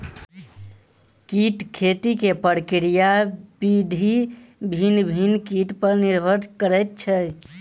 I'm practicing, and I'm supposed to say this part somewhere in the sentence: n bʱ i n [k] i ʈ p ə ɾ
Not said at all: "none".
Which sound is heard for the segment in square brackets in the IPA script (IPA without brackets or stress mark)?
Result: k